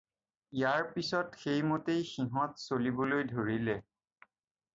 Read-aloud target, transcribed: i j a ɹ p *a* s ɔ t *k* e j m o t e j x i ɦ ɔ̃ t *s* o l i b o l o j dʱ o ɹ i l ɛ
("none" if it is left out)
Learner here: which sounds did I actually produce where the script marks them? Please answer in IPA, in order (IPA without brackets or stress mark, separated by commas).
i, x, s